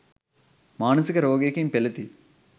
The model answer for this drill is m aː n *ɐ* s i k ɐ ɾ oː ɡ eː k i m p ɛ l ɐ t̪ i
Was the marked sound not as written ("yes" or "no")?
no